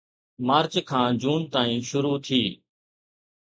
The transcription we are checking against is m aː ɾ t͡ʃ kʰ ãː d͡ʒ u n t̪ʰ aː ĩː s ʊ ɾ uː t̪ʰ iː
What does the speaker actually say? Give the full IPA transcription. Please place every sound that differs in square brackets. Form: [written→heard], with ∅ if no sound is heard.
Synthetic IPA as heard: m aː ɾ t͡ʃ kʰ ãː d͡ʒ [u→uː] n [t̪ʰ→t̪] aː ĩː [s→ʃ] ʊ ɾ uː t̪ʰ iː